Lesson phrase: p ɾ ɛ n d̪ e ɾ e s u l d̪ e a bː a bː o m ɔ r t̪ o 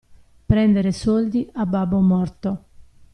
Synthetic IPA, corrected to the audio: p ɾ ɛ n d̪ e ɾ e s ɔ l d̪ i a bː a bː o m ɔ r t̪ o